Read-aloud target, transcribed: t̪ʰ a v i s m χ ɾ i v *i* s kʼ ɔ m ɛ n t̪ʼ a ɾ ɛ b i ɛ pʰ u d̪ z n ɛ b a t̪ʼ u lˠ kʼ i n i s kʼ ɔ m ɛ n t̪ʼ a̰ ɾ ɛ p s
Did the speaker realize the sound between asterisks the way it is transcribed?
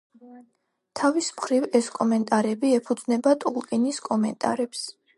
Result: no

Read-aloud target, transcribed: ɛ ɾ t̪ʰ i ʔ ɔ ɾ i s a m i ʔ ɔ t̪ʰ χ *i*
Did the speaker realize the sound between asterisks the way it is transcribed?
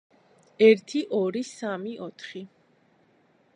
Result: yes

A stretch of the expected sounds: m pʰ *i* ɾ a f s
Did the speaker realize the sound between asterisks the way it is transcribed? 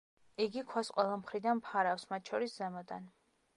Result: no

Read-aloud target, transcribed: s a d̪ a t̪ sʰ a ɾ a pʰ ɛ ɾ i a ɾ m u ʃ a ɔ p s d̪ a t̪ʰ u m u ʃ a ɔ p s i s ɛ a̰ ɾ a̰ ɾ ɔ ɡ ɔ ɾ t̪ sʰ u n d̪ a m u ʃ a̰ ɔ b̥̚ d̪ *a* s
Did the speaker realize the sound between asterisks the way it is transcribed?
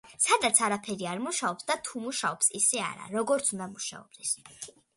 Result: no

